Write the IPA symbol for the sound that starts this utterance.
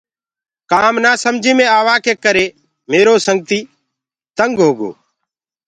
k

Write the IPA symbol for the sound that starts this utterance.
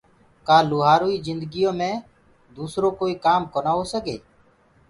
k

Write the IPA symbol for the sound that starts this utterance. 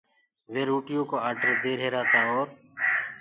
ʋ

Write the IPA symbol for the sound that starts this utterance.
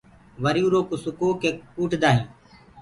ʋ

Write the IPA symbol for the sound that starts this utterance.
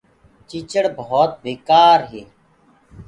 t͡ʃ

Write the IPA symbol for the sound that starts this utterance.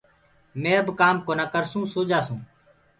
m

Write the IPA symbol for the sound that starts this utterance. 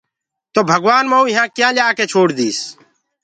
t̪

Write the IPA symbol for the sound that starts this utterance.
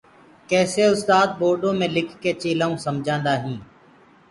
k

